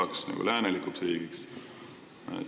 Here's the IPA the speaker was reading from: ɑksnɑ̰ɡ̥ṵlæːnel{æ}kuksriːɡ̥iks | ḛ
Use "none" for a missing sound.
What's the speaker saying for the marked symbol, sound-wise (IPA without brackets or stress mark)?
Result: i